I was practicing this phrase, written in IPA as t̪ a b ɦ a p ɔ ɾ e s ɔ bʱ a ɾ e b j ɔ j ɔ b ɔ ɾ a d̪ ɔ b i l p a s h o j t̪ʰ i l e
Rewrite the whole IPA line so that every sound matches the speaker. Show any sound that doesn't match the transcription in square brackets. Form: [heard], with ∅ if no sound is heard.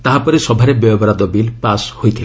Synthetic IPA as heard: t̪ a [∅] ɦ a p ɔ ɾ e s ɔ bʱ a ɾ e b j ɔ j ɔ b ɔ ɾ a d̪ ɔ b i l p a s h o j t̪ʰ i l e